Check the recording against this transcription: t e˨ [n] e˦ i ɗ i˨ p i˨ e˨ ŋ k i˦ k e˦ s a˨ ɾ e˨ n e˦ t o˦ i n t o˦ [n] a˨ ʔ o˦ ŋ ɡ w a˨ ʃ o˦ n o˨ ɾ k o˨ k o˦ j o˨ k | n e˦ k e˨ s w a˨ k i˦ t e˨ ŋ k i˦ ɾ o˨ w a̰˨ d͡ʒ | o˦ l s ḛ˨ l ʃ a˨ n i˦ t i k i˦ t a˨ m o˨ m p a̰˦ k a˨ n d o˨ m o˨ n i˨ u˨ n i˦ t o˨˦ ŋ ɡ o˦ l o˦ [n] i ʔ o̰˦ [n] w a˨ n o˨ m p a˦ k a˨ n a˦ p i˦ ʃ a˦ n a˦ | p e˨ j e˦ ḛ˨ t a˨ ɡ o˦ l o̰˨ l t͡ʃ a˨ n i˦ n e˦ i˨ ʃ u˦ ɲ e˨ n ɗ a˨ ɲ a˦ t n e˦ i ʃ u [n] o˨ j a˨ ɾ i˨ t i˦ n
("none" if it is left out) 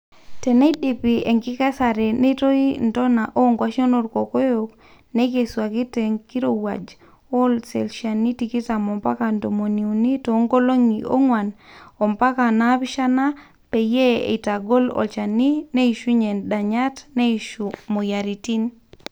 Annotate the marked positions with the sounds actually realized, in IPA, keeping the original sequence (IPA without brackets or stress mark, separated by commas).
n, n, ŋ, ŋ, m